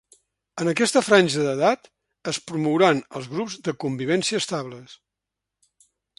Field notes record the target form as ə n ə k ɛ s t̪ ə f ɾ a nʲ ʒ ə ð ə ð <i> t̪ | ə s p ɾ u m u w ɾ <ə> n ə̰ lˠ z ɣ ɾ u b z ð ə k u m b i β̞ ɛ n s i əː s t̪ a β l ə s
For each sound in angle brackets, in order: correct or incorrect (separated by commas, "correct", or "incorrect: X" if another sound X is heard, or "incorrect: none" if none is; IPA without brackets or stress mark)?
incorrect: a, incorrect: a